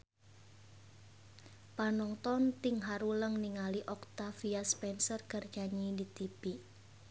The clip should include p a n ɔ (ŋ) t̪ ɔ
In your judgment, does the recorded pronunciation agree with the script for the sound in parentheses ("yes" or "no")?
yes